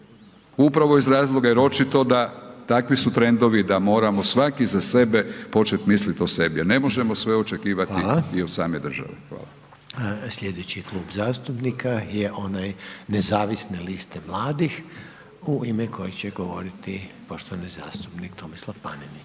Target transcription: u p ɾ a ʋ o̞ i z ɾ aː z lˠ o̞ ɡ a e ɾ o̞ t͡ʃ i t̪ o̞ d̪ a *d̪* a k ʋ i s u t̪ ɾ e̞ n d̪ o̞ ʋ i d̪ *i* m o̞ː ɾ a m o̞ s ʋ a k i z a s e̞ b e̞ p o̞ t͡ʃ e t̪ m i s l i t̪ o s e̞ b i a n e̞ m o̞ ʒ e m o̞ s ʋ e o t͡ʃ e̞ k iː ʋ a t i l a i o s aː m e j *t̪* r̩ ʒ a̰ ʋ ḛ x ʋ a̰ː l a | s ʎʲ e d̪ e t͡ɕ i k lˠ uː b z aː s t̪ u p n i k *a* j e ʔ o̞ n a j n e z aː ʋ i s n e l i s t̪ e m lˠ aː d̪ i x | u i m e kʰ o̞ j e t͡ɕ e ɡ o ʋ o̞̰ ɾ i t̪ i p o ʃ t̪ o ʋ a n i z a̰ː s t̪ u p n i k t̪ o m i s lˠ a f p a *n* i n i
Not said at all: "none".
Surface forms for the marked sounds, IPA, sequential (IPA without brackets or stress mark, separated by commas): t̪, a, d̪, a, n